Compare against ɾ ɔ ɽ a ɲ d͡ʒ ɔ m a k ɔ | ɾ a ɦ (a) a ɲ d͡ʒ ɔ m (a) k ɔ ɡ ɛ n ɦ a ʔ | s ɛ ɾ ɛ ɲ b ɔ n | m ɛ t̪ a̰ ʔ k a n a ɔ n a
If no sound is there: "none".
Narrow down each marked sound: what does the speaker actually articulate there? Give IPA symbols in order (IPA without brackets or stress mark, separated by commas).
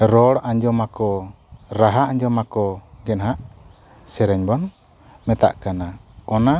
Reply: a, a